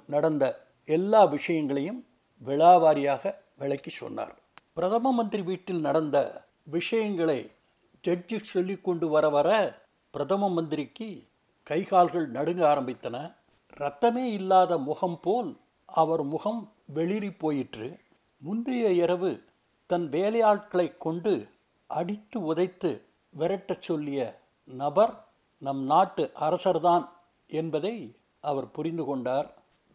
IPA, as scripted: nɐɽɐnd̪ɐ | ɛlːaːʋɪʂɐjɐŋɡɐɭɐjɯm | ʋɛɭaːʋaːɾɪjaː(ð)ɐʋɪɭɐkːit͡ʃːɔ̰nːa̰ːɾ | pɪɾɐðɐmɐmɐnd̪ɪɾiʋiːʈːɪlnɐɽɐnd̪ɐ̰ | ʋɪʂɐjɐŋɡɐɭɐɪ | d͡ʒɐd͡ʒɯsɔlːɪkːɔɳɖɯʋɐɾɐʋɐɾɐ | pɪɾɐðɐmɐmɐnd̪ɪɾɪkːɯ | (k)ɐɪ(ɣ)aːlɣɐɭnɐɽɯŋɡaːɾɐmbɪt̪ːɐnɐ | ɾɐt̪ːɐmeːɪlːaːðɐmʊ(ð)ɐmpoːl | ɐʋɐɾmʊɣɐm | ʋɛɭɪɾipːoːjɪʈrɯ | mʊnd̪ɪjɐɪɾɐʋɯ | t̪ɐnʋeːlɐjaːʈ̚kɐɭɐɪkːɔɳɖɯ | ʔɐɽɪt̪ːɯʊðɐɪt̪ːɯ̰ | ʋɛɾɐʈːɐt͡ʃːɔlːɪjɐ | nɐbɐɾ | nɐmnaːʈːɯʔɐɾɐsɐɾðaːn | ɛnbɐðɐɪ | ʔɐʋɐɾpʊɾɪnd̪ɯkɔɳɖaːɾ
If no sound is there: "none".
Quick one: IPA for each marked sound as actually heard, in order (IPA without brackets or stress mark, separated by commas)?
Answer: ɣ, k, ɣ, ɣ